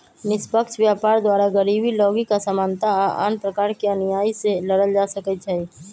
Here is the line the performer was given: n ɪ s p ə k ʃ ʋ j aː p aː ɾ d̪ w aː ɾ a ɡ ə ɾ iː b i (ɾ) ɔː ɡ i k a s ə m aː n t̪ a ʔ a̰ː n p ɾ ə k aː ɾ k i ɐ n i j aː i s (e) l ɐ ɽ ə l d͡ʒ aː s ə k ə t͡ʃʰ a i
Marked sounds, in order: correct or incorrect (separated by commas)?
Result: incorrect, correct